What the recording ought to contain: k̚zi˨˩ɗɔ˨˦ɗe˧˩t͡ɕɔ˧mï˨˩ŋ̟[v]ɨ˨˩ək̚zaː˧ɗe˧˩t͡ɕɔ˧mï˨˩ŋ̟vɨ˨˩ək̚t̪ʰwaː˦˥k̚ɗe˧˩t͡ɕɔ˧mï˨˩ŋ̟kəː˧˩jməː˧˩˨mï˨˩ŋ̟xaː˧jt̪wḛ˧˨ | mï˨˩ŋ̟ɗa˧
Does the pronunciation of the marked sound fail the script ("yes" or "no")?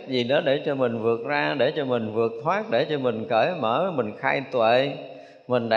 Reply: no